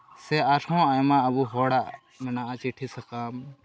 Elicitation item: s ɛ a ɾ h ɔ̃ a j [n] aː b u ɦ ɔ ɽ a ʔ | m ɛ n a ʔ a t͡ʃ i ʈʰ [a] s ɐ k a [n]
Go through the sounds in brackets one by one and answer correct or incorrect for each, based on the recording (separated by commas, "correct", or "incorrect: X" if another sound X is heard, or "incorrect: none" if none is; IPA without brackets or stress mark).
incorrect: m, incorrect: i, incorrect: m